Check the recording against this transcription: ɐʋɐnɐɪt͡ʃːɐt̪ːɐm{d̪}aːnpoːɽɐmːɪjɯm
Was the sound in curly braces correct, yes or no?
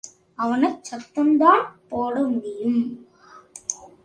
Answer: yes